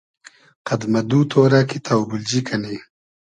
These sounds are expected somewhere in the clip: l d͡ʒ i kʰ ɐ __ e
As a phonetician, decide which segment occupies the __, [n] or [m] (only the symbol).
n